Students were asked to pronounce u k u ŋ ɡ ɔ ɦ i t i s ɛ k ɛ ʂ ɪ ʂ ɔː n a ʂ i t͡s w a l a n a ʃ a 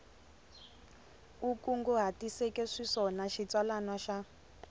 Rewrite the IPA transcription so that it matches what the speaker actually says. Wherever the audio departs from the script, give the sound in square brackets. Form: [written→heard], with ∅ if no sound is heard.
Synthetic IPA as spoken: u k u ŋ ɡ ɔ ɦ [i→a] t i s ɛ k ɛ ʂ [ɪ→i] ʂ [ɔː→ɔ] n a [ʂ→ʃ] i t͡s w a l a n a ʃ a